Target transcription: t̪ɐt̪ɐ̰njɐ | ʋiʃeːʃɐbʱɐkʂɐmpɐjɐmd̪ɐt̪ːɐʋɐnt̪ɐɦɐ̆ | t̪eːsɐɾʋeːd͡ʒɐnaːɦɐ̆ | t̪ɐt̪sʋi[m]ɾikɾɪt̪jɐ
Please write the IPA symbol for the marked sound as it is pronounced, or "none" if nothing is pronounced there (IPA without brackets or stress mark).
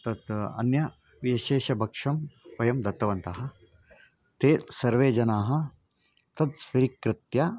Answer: none